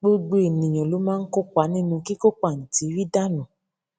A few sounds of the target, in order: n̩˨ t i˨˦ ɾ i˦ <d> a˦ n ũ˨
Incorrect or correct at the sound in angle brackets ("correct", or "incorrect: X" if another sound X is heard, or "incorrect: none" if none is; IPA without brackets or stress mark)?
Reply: correct